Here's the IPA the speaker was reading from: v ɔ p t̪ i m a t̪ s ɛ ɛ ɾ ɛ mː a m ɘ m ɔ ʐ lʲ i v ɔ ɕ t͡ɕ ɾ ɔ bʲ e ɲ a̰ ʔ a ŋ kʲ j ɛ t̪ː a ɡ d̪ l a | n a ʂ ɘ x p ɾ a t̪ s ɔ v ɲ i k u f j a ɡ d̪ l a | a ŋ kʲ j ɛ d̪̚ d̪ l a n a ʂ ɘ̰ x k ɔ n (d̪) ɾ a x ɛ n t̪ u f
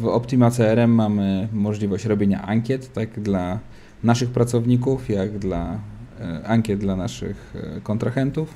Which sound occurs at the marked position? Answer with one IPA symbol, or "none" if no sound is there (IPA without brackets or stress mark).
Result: t̪